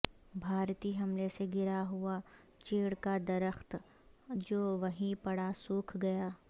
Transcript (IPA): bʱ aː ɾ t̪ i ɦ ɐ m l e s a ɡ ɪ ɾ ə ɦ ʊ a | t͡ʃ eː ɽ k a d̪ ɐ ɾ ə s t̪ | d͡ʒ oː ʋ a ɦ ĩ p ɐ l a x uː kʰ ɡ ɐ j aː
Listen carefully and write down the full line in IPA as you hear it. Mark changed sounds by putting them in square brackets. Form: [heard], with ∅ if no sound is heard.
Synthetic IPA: bʱ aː ɾ t̪ i ɦ ɐ m l e s [e] ɡ ɪ ɾ [a] ɦ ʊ a | t͡ʃ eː ɽ k a d̪ ɐ ɾ ə [x] t̪ | d͡ʒ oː ʋ [ɐ] ɦ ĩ p ɐ [ɽ] a [s] uː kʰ ɡ ɐ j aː